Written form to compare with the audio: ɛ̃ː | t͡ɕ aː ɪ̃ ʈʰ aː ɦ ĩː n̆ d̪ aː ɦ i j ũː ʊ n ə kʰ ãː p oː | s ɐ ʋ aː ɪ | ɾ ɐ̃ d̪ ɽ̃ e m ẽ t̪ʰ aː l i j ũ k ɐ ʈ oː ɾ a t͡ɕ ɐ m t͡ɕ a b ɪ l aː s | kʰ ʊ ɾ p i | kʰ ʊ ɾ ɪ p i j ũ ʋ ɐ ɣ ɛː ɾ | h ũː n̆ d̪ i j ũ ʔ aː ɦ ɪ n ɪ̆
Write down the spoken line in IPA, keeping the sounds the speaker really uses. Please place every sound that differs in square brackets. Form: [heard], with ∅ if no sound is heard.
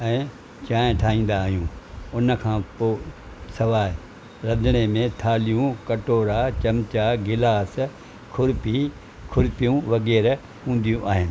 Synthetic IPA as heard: ɛ̃ː | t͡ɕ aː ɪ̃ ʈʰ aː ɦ ĩː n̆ d̪ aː ɦ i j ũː ʊ n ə kʰ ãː p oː | s ɐ ʋ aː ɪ | ɾ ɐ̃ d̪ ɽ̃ e m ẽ t̪ʰ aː l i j ũ k ɐ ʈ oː ɾ a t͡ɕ ɐ m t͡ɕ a [ɡ] ɪ l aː s | kʰ ʊ ɾ p i | kʰ ʊ ɾ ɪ p i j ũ ʋ ɐ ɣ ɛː ɾ | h ũː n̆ d̪ i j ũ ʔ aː ɦ ɪ n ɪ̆